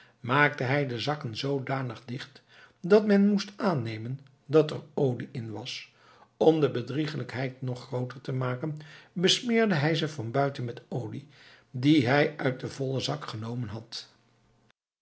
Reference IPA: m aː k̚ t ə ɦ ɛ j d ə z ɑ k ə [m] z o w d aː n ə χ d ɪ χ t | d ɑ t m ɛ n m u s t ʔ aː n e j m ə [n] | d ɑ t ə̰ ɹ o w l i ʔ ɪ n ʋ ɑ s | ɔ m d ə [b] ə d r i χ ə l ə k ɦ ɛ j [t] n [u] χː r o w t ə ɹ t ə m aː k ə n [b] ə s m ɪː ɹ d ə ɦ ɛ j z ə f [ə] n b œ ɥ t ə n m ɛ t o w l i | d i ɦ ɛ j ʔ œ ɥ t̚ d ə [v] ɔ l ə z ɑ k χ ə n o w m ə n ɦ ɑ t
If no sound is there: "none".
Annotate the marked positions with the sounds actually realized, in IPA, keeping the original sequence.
n, n, b, t, ɔ, b, ɑ, v

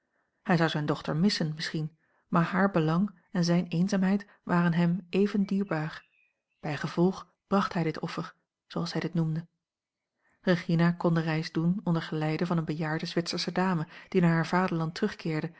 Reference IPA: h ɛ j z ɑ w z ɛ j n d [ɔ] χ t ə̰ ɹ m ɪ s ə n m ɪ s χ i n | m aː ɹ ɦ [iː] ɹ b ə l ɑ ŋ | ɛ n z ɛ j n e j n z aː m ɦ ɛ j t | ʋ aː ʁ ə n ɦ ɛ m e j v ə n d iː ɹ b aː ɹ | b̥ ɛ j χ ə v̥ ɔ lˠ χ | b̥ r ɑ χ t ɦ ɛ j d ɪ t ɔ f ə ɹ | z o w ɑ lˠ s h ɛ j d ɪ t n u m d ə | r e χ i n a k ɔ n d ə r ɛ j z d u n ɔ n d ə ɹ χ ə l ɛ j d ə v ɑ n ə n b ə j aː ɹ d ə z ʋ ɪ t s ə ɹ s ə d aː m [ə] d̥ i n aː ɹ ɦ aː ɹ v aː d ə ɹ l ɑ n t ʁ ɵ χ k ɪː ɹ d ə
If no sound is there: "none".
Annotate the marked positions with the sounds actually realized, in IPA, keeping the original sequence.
ɔ, aː, ə

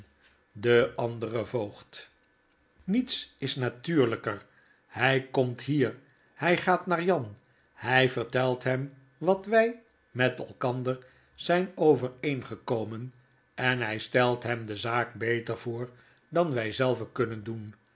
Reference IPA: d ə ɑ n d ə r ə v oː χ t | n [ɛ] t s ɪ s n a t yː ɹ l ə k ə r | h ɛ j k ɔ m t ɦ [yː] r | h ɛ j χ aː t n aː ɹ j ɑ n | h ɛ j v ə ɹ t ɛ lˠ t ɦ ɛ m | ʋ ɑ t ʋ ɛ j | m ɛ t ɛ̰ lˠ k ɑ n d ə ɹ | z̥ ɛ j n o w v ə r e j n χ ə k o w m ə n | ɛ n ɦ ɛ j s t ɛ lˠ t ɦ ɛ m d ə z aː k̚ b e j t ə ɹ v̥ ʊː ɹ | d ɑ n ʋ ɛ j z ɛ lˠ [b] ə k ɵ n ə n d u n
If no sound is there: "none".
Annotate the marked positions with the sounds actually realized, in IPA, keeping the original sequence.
i, iː, v

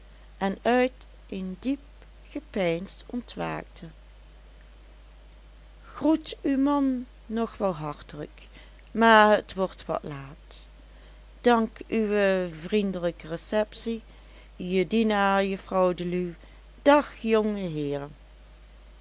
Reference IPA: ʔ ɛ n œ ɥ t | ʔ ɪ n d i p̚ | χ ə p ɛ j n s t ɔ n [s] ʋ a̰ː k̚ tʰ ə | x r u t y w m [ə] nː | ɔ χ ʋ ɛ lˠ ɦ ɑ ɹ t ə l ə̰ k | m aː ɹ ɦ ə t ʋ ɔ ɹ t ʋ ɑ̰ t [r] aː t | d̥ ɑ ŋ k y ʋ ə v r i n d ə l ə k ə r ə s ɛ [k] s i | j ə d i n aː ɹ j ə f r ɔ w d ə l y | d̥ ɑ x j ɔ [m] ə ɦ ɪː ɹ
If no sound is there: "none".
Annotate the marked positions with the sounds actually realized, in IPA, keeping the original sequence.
t, ɑ, l, p, ŋ

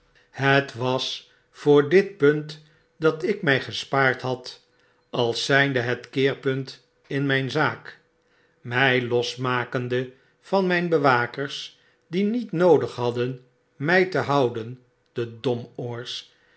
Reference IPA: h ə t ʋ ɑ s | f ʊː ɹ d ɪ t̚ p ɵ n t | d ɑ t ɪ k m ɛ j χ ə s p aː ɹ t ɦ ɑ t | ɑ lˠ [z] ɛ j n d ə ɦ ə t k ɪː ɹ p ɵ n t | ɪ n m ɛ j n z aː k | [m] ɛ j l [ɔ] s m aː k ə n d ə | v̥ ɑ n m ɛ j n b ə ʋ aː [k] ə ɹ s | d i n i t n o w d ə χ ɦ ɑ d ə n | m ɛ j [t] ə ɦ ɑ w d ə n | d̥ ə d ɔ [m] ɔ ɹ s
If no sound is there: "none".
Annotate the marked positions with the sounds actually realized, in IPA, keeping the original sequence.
s, m, ɔ, k, t, m

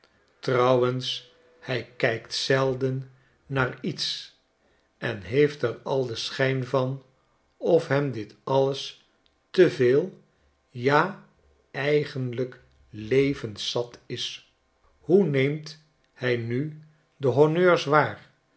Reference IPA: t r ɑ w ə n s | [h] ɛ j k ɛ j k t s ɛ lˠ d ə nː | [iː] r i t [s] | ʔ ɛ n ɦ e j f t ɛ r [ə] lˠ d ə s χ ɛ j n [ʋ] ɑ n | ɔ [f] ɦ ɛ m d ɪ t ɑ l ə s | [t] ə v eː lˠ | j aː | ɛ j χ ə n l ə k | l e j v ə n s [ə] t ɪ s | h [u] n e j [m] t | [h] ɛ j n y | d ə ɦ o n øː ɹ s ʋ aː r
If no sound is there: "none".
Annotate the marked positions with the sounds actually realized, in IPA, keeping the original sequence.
h, aː, s, ɑ, v, f, t, ɑ, u, m, h

